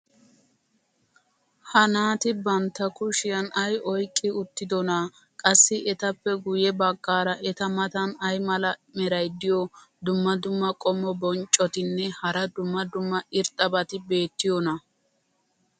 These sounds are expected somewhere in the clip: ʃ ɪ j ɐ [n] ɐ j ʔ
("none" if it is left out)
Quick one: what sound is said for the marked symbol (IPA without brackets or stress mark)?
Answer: n